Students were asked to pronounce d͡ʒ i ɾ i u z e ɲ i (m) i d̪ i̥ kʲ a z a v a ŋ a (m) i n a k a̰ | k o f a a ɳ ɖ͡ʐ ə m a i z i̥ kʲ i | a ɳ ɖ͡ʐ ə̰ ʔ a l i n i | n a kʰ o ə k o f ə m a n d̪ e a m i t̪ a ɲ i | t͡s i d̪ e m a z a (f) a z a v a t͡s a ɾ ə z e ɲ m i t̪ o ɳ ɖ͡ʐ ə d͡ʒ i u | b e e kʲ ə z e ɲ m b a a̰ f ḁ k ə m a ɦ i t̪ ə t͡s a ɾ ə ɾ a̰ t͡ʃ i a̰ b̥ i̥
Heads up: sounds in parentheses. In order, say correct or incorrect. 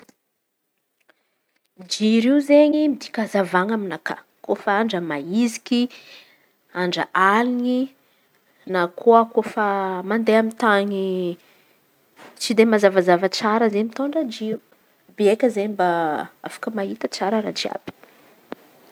correct, correct, incorrect: v

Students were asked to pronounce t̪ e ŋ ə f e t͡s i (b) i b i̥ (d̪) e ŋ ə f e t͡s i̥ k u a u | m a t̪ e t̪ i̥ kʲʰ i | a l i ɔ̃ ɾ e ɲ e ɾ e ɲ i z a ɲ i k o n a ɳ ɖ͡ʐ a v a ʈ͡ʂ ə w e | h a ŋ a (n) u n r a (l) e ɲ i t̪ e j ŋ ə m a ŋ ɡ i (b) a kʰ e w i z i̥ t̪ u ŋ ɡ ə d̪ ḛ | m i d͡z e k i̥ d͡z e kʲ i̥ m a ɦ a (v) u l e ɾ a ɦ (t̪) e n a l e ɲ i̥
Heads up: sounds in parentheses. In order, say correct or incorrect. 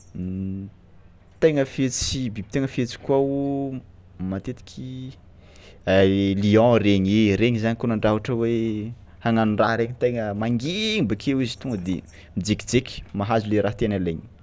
correct, incorrect: t̪, correct, incorrect: ɾ, correct, incorrect: z, correct

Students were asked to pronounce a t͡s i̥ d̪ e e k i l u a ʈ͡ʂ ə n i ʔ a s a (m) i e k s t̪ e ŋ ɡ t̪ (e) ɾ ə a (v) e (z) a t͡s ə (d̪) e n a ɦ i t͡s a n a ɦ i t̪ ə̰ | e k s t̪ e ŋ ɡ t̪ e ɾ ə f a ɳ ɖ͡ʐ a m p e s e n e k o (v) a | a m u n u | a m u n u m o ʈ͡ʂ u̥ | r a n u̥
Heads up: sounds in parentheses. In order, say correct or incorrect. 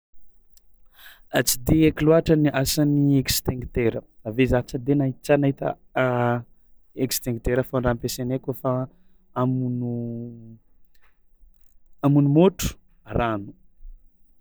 incorrect: n, correct, correct, correct, correct, incorrect: f

